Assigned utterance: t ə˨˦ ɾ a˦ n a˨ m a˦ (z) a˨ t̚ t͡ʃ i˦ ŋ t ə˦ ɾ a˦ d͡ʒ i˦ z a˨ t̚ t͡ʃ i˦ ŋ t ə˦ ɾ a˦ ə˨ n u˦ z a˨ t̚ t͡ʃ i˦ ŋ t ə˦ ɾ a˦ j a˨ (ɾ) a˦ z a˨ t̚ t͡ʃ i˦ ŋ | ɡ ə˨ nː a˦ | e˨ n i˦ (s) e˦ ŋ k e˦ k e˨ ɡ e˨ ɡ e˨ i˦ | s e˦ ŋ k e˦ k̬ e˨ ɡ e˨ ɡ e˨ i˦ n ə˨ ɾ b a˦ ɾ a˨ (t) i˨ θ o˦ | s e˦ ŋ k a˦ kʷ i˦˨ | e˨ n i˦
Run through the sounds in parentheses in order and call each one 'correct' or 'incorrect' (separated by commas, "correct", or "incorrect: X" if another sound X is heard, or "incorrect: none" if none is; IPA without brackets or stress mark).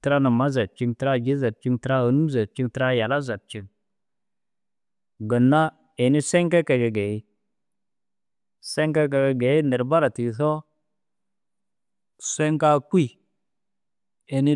correct, incorrect: l, correct, correct